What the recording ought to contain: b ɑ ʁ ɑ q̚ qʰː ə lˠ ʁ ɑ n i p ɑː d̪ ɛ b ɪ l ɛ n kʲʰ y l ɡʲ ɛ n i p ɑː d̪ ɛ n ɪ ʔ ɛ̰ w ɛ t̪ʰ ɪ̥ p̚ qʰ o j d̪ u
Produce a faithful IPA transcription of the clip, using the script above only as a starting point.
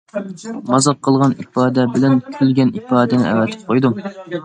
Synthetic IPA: m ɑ z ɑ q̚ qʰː ə lˠ ʁ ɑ n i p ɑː d̪ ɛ b ɪ l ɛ n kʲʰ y l ɡʲ ɛ n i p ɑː d̪ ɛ n ɪ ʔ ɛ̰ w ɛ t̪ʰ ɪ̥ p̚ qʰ o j d̪ u